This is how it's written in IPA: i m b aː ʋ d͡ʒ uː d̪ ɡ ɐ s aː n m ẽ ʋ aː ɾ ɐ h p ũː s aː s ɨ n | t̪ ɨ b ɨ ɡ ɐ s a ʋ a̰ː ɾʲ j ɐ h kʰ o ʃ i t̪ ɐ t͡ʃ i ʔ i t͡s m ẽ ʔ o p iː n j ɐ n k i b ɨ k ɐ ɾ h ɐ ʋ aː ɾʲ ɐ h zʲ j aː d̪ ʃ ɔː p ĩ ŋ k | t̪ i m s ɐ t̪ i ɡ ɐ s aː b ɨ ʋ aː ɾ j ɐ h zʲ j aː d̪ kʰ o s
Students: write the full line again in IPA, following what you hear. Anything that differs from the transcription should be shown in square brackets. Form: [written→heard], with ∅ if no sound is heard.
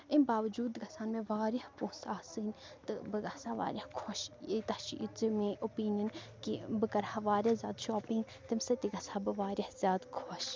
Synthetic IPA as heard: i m b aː ʋ d͡ʒ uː d̪ ɡ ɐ s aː n m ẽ ʋ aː ɾ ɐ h p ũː s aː s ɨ n | t̪ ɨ b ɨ ɡ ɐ s a ʋ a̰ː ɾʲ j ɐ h kʰ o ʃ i t̪ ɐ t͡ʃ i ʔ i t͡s m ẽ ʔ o p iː n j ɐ n k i b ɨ k ɐ ɾ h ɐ ʋ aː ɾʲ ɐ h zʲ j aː d̪ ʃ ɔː p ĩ ŋ [k→ɡ] | t̪ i m s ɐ t̪ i ɡ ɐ s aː b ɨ ʋ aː ɾ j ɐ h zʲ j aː d̪ kʰ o [s→ʃ]

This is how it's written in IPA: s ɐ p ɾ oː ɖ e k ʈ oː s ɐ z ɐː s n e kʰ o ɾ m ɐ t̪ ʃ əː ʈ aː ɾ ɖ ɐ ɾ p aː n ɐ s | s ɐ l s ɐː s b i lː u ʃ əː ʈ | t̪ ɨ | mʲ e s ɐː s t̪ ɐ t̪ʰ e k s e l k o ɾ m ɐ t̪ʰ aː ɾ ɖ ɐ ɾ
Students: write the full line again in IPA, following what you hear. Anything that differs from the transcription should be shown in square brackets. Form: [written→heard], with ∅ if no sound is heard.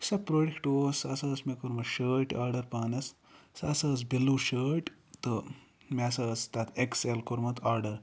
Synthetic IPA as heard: s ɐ p ɾ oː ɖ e k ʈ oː s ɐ [z→s] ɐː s [n→m] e [kʰ→k] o ɾ m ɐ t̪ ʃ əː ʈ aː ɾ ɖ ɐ ɾ p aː n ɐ s | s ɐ [l→∅] s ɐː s b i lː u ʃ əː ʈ | t̪ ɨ | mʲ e s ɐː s t̪ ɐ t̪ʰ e k s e l k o ɾ m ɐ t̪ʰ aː ɾ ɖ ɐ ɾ

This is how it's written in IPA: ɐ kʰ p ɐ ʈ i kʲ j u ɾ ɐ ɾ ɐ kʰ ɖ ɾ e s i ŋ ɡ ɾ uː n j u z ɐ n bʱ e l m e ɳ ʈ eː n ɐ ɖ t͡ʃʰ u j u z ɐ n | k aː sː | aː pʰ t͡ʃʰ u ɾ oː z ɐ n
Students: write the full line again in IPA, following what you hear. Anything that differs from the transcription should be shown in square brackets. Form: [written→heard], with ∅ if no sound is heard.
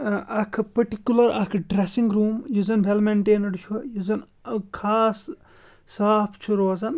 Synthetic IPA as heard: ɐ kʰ p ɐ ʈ i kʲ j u [ɾ→l] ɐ ɾ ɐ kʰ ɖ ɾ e s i ŋ ɡ ɾ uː [n→m] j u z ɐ n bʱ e l m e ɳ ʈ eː n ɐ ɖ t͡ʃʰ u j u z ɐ n | [k→kʰ] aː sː | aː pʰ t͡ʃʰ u ɾ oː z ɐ n

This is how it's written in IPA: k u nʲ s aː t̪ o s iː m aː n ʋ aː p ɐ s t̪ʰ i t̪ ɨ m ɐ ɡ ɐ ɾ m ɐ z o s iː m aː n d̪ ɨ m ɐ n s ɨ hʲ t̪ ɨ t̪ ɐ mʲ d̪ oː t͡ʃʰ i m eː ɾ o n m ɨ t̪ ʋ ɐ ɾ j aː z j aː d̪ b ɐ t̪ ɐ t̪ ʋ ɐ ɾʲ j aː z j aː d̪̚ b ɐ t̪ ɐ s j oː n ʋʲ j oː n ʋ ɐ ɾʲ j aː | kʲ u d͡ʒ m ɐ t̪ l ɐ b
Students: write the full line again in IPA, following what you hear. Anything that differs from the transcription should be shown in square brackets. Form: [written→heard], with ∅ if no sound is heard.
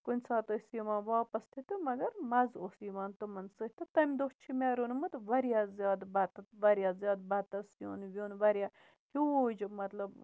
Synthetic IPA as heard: k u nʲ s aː t̪ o s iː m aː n ʋ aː p ɐ s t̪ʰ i t̪ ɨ m ɐ ɡ ɐ ɾ m ɐ z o s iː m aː n [d̪→t̪] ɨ m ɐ n s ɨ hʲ t̪ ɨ t̪ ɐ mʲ d̪ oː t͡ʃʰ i m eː ɾ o n m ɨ t̪ ʋ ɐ ɾ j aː z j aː d̪ b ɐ t̪ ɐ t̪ ʋ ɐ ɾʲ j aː z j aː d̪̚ b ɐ t̪ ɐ s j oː n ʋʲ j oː n ʋ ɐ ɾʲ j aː | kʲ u d͡ʒ m ɐ t̪ l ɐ b

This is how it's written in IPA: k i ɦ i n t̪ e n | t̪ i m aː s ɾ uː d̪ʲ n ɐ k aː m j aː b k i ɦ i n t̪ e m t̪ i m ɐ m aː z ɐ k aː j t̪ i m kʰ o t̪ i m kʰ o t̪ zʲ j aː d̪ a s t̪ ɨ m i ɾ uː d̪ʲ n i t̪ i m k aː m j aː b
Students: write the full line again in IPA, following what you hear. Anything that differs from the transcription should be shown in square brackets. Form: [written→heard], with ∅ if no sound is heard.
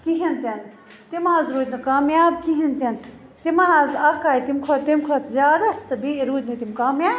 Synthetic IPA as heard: k i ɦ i n t̪ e n | t̪ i m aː [s→z] ɾ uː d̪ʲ n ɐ k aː m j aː b k i ɦ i n t̪ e [m→n] t̪ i m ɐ [m→n] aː z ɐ k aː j t̪ i m kʰ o t̪ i m kʰ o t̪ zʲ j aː d̪ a s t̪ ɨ [m→b] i ɾ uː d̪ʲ n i t̪ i m k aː m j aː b

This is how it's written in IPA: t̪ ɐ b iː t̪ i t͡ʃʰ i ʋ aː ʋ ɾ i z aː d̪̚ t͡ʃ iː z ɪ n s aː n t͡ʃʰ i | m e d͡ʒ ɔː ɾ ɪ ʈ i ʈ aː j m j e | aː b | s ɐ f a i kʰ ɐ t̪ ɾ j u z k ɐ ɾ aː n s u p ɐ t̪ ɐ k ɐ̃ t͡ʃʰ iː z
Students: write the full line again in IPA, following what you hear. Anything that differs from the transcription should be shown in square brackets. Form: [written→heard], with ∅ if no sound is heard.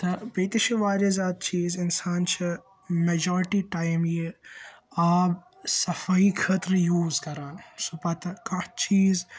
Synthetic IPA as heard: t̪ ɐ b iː t̪ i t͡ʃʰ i ʋ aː [ʋ→∅] ɾ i z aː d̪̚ t͡ʃ iː z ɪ n s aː n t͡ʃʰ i | m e d͡ʒ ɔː ɾ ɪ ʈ i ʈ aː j m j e | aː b | s ɐ f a i kʰ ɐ t̪ ɾ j [u→uː] z k ɐ ɾ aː n s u p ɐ t̪ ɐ k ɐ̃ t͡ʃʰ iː z

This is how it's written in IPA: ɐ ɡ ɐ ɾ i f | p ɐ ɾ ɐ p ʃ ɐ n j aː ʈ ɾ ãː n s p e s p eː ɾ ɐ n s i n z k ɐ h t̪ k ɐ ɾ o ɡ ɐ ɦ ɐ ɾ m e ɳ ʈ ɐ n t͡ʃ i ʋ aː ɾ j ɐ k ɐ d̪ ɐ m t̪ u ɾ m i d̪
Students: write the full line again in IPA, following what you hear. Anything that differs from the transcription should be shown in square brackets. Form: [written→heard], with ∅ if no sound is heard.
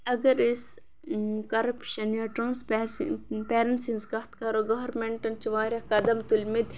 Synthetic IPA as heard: ɐ ɡ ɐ ɾ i [f→s] | [p→k] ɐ ɾ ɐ p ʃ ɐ n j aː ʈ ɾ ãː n s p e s p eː ɾ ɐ n s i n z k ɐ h t̪ k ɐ ɾ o ɡ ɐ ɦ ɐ ɾ m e ɳ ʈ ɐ n t͡ʃ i ʋ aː ɾ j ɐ k ɐ d̪ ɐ m t̪ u [ɾ→l] m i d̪

